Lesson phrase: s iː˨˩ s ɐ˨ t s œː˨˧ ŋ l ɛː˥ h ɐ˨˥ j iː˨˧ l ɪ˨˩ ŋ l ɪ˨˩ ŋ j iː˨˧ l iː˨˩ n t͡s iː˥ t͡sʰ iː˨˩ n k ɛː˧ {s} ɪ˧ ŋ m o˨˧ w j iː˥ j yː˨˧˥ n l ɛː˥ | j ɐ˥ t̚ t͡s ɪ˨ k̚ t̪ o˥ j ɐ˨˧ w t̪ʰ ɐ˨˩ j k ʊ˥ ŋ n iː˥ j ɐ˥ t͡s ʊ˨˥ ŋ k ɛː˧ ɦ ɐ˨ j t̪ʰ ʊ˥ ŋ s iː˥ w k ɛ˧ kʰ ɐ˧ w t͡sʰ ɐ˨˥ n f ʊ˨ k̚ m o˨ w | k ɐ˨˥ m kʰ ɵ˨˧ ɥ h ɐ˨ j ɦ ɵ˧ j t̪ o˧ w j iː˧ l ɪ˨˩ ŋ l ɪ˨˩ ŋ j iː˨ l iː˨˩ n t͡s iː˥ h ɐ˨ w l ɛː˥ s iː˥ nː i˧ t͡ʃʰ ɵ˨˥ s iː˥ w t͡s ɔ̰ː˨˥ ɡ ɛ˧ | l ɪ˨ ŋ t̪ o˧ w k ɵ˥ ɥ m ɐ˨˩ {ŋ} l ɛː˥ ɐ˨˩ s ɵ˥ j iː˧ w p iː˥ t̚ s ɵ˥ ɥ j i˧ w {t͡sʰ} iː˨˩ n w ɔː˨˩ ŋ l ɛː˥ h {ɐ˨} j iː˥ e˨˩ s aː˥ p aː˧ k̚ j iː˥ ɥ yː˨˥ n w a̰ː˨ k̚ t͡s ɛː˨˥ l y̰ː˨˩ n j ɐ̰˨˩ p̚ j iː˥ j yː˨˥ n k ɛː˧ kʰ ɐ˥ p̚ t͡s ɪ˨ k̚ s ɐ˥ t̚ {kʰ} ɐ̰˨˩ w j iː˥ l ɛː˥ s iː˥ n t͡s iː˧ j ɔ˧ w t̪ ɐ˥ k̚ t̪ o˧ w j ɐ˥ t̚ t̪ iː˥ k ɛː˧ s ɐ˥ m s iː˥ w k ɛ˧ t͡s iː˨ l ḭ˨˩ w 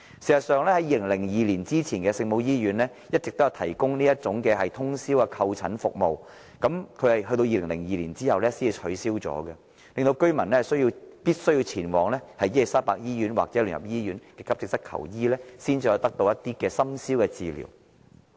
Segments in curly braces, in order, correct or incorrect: correct, incorrect: n, correct, correct, correct

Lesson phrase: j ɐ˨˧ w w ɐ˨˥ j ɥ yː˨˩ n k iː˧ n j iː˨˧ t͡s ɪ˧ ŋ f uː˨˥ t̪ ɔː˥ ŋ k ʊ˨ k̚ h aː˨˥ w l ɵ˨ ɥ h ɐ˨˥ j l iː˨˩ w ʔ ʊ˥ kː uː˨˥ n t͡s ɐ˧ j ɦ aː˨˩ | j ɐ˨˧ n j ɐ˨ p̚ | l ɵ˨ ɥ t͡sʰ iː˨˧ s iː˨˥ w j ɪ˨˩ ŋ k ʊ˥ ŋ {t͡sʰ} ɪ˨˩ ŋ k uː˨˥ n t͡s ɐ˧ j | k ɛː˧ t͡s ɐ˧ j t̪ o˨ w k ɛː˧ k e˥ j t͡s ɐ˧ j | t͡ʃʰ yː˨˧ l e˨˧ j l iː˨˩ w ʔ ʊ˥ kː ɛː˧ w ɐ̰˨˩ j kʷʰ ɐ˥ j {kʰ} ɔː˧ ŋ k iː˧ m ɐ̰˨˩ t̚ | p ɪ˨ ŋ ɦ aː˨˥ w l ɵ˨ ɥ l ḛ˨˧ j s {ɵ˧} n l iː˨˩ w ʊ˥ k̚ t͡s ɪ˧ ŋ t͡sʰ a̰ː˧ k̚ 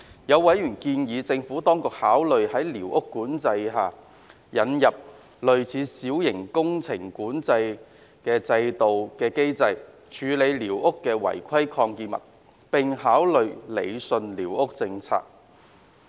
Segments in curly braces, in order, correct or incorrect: correct, correct, correct

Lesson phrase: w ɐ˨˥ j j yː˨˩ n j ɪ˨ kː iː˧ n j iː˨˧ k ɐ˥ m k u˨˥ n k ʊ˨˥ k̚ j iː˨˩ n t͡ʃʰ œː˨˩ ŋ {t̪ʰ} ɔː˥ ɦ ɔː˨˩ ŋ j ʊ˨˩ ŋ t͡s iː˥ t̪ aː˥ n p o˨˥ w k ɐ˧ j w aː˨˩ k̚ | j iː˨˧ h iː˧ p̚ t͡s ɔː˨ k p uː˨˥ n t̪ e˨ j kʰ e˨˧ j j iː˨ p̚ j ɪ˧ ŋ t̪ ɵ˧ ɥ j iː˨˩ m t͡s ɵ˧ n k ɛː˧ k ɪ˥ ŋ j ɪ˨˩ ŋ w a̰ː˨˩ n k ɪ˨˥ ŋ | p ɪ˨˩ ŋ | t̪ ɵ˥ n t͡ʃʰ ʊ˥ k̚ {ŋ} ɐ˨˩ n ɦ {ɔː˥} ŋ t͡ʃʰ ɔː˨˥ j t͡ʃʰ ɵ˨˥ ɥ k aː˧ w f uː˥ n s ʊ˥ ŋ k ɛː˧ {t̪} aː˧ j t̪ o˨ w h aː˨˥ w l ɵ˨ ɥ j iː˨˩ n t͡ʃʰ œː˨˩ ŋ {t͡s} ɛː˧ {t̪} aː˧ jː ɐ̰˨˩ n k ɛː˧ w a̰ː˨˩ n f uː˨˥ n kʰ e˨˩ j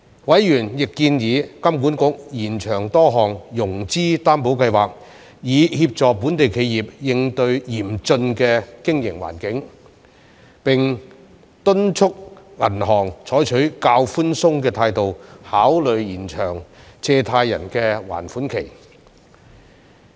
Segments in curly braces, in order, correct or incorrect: incorrect: t̪, correct, incorrect: ɔː˨˩, incorrect: t̪ʰ, correct, incorrect: t̪ʰ

